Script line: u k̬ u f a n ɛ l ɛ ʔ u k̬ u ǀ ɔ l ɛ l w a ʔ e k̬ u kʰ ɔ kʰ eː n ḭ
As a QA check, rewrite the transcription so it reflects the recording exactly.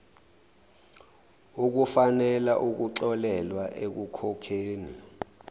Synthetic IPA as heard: u k̬ u f a n ɛ l a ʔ u k̬ u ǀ ɔ l ɛ l w a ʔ e k̬ u kʰ ɔ kʰ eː n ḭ